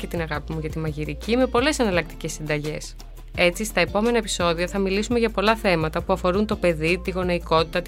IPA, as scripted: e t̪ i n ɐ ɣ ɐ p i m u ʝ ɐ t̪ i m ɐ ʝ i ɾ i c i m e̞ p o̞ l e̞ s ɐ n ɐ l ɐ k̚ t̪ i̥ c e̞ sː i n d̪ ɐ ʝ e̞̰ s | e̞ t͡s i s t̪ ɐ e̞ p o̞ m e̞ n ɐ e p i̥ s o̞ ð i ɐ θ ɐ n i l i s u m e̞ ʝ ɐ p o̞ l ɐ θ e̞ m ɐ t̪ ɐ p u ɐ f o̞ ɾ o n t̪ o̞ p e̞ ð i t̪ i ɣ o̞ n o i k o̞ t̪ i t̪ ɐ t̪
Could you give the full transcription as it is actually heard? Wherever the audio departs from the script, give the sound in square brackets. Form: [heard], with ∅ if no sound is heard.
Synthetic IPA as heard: e t̪ i n ɐ ɣ ɐ p i m u ʝ ɐ t̪ i m ɐ ʝ i ɾ i c i m e̞ p o̞ l e̞ s ɐ n ɐ l ɐ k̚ t̪ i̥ c e̞ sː i n d̪ ɐ ʝ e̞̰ s | e̞ t͡s i s t̪ ɐ e̞ p o̞ m e̞ n ɐ e p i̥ s o̞ ð i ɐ θ ɐ [m] i l i s u m e̞ ʝ ɐ p o̞ l ɐ θ e̞ m ɐ t̪ ɐ p u ɐ f o̞ ɾ [u] n t̪ o̞ p e̞ ð i t̪ i ɣ o̞ n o i k o̞ t̪ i t̪ ɐ t̪